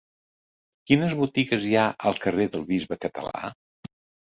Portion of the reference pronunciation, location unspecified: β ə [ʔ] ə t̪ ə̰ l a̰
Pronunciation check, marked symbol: incorrect: k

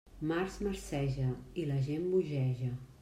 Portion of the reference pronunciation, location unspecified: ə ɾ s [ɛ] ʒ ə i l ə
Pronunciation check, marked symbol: correct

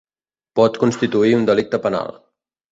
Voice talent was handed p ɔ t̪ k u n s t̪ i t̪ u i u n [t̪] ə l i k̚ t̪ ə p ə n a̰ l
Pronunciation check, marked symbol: incorrect: d̪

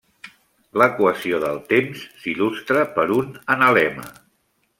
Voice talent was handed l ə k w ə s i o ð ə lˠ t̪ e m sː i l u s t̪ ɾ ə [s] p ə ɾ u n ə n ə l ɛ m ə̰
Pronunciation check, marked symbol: incorrect: none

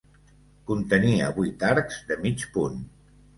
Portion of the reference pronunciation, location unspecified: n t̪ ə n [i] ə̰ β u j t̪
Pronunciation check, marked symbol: correct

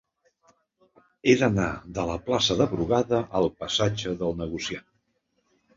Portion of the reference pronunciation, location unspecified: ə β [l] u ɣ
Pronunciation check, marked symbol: incorrect: ɾ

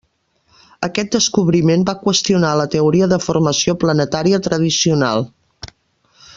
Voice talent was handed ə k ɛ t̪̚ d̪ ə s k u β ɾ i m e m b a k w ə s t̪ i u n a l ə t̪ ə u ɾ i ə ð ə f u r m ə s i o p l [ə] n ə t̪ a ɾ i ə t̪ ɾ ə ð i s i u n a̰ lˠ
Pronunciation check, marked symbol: correct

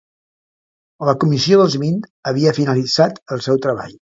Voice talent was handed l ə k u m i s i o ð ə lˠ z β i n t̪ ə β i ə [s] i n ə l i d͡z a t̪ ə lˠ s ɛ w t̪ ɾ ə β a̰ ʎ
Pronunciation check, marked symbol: incorrect: f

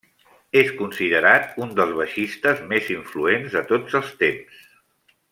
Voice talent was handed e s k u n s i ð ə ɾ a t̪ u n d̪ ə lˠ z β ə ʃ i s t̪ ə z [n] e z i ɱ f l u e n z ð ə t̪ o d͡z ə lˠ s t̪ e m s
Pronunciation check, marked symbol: incorrect: m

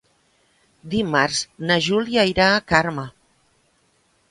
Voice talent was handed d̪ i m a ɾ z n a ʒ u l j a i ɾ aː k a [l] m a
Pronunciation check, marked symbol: incorrect: ɾ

